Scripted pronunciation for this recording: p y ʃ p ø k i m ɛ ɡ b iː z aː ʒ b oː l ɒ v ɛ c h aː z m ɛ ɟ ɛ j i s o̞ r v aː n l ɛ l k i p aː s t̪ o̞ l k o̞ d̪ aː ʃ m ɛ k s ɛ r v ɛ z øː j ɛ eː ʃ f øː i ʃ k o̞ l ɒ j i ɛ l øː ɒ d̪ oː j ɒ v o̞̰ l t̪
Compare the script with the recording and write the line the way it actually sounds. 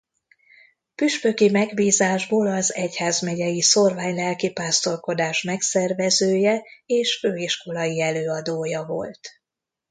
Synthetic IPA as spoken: p y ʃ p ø k i m ɛ ɡ b iː z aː ʒ b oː l ɒ z ɛ c h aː z m ɛ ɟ ɛ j i s o̞ r v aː ɲ l ɛ l k i p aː s t̪ o̞ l k o̞ d̪ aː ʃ m ɛ k s ɛ r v ɛ z øː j ɛ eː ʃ f øː i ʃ k o̞ l ɒ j i ɛ l øː ɒ d̪ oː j ɒ v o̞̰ l t̪